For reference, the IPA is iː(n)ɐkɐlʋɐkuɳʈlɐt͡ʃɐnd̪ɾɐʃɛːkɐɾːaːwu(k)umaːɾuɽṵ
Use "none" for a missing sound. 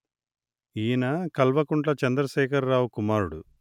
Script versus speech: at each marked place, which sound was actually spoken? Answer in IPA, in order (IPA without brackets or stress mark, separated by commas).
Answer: n, k